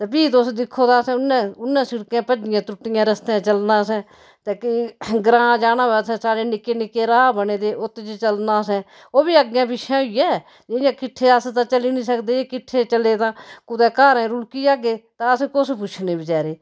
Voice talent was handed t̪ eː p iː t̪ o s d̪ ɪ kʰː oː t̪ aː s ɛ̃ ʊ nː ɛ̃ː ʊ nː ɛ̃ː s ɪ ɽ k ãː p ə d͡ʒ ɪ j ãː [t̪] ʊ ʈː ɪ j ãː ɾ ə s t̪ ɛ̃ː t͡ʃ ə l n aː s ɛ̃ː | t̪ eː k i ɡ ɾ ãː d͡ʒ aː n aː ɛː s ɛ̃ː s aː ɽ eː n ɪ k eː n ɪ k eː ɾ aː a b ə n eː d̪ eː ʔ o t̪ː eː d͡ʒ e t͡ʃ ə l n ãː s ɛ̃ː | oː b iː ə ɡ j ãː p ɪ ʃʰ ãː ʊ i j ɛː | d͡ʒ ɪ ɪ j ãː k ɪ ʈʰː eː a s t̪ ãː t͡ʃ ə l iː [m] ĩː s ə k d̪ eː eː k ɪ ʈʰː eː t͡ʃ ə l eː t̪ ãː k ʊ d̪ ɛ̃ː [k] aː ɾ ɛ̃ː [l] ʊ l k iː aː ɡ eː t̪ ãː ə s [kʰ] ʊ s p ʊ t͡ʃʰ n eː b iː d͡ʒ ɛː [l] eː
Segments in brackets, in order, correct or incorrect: correct, incorrect: n, correct, incorrect: ɾ, incorrect: k, incorrect: ɾ

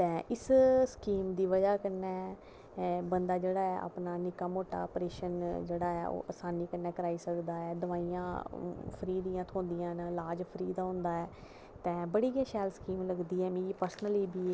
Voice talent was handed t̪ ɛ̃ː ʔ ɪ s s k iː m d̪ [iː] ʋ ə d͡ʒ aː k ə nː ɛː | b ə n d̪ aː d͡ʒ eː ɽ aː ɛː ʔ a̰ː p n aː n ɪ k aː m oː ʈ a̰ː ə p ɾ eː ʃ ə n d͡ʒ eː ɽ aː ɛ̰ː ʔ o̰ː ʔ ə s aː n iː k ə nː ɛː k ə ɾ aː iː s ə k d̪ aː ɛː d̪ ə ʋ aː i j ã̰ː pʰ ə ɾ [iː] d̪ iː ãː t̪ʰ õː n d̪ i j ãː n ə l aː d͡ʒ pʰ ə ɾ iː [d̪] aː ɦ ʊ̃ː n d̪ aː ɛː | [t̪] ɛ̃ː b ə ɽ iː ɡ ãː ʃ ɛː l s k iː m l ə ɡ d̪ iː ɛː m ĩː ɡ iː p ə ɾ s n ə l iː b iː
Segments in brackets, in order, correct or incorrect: correct, correct, correct, correct

